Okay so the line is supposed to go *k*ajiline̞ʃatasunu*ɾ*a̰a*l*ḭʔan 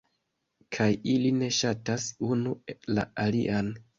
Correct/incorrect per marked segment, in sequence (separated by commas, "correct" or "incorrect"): incorrect, incorrect, correct